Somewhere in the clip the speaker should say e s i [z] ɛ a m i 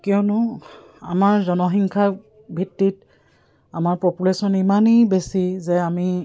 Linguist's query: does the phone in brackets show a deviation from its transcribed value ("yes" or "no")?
no